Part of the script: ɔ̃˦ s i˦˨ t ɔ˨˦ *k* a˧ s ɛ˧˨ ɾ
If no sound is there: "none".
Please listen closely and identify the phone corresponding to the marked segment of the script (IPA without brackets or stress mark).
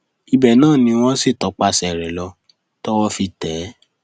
k͡p